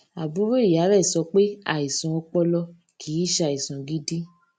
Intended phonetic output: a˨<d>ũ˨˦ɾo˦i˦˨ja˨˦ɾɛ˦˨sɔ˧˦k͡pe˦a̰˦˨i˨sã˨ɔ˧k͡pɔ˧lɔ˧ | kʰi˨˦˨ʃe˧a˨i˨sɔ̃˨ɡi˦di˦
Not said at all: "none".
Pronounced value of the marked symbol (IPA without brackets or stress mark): b